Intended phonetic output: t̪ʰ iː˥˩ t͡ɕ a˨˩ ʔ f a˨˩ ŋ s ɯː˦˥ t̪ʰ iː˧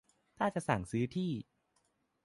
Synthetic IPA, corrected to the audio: t̪ʰ aː˥˩ t͡ɕ a˨˩ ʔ s a˨˩ ŋ s ɯː˦˥ t̪ʰ iː˥˩